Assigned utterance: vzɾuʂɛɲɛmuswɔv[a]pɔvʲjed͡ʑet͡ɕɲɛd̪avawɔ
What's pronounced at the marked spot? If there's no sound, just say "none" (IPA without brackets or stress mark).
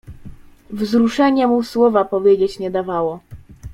a